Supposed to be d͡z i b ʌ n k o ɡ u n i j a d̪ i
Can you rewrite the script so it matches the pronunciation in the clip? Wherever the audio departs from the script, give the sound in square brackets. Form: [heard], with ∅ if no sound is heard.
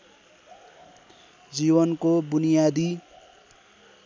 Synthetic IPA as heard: d͡z i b ʌ n k o [b] u n i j a d̪ i